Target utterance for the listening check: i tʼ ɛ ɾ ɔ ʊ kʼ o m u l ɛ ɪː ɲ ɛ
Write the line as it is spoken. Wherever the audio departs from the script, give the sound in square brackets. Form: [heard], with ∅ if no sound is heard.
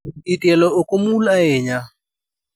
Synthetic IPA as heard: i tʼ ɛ [l] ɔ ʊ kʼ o m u l [a] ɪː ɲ [a]